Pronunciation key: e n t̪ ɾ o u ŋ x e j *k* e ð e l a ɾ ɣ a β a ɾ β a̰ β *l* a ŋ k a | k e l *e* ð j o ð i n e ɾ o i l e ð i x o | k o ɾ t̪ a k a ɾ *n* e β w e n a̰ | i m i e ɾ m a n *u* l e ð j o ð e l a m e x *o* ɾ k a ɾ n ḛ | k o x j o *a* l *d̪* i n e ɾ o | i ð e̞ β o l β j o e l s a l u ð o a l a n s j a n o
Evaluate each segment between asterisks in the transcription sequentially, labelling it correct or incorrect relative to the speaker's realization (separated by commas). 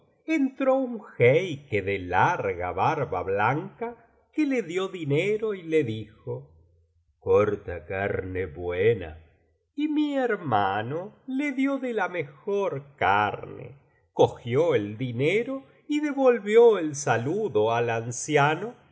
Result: correct, correct, correct, correct, incorrect, correct, incorrect, correct